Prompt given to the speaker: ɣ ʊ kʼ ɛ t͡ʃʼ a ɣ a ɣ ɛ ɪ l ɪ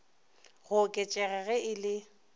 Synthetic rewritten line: ɣ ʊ kʼ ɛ t͡ʃʼ ɛ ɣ ɛ ɣ ɛ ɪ l ɪ